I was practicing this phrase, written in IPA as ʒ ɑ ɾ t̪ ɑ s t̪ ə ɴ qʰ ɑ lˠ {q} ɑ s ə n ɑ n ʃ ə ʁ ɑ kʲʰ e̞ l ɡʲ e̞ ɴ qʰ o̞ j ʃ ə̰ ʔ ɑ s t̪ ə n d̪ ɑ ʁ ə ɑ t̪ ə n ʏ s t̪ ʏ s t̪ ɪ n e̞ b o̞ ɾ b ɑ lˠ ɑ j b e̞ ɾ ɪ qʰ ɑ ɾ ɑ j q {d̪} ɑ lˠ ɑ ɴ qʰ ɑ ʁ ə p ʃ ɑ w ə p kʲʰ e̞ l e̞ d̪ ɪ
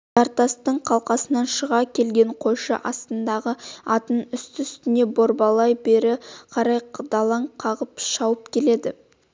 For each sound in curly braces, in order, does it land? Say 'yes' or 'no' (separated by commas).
yes, yes